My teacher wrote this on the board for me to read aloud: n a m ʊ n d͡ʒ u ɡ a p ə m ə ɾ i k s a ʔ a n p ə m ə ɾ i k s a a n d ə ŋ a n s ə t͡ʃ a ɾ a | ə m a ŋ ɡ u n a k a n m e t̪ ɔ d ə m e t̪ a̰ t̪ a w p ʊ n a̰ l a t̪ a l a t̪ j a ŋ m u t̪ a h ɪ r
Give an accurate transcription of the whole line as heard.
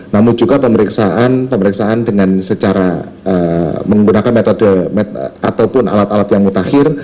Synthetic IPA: n a m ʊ n d͡ʒ u ɡ a p ə m ə ɾ i k s a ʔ a n p ə m ə ɾ i k s a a n d ə ŋ a n s ə t͡ʃ a ɾ a | ə m ə ŋ ɡ u n a k a n m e t̪ ɔ d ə m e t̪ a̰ t̪ a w p ʊ n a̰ l a t̪ a l a t̪ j a ŋ m u t̪ a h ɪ r